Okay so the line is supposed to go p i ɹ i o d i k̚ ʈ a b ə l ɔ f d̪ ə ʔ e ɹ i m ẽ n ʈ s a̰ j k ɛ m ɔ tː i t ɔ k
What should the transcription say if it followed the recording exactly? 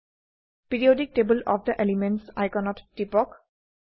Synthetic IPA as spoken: p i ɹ i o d i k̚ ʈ e b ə l ɔ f d̪ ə ʔ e l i m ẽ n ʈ s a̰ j k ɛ n ɔ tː i p ɔ k